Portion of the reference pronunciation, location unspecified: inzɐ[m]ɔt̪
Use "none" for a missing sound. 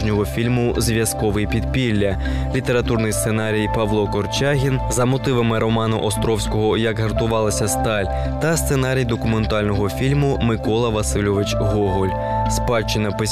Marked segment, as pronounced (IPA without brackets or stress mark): m